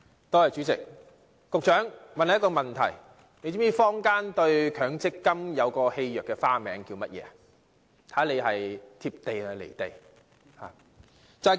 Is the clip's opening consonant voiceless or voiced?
voiceless